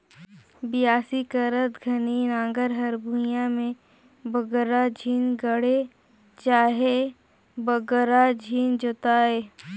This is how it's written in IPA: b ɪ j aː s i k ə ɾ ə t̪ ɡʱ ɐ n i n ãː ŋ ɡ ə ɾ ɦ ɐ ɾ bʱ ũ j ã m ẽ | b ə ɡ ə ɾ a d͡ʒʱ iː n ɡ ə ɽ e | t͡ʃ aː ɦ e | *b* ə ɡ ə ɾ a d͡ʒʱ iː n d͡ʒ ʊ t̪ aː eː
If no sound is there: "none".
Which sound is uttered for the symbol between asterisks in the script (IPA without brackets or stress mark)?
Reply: b